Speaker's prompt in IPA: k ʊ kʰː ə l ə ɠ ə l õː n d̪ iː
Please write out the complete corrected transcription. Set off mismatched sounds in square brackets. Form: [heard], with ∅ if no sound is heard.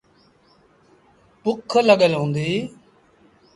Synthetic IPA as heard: [p] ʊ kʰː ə l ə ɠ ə l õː n d̪ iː